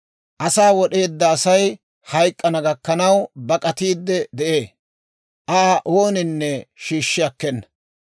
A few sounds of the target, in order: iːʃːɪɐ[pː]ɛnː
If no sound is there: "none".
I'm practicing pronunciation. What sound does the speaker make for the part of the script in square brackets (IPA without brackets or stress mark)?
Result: kː